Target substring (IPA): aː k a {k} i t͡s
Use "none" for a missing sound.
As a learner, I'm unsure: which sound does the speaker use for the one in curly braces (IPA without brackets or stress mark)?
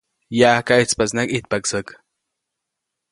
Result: none